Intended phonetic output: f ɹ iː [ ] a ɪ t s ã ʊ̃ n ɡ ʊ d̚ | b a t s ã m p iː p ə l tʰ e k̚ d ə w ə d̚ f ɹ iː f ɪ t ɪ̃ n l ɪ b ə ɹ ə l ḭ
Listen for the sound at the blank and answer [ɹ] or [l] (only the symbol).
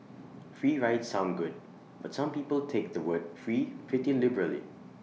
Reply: ɹ